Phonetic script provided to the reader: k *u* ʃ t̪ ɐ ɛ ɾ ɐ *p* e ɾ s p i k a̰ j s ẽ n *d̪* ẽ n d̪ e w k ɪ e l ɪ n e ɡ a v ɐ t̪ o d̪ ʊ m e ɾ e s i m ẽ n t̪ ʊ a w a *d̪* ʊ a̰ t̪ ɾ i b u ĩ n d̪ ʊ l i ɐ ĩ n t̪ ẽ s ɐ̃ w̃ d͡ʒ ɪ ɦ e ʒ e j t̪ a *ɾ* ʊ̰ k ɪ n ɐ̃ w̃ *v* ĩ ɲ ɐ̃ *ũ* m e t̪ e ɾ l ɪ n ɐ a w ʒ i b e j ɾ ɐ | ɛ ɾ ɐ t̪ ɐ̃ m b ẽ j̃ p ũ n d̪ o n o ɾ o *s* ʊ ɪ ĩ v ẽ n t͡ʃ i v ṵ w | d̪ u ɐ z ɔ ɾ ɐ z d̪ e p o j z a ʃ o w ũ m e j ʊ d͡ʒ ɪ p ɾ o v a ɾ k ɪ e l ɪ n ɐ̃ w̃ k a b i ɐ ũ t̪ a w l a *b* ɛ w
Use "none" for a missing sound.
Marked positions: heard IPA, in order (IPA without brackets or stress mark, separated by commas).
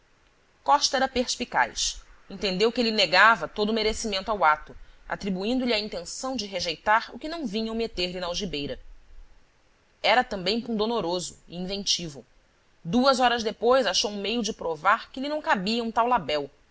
ɔ, p, t̪, t̪, ɾ, v, w̃, z, b